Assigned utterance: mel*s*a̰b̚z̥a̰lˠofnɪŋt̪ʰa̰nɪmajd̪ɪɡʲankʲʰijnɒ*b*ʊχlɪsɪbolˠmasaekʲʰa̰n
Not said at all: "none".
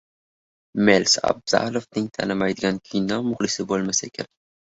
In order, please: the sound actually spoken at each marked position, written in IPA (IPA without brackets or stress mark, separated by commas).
s, m